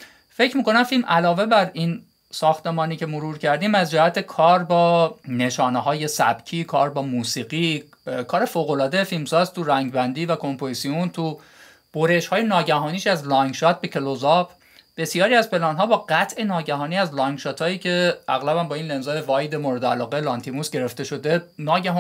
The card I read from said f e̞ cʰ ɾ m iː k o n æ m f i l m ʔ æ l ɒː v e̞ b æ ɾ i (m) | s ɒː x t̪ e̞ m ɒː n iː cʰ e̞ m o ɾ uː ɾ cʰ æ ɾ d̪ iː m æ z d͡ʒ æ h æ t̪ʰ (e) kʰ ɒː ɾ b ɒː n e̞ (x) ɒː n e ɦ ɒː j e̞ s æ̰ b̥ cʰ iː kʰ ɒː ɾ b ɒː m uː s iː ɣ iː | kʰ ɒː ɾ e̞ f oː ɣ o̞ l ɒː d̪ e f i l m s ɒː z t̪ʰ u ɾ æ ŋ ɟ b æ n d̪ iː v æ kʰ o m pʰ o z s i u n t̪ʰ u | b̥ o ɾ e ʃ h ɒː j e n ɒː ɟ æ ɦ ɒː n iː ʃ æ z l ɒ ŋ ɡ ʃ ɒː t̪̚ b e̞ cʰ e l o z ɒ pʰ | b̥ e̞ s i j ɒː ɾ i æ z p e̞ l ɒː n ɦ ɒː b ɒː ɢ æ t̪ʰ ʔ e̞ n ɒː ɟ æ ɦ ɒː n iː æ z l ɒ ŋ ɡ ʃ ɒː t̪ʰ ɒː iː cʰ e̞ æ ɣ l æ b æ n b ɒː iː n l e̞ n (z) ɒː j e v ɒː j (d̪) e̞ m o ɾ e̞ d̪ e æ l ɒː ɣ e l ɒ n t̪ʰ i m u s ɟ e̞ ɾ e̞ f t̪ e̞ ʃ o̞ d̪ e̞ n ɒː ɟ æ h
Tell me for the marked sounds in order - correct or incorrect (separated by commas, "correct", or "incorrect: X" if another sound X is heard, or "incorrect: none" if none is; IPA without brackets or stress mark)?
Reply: incorrect: n, correct, incorrect: ʃ, correct, correct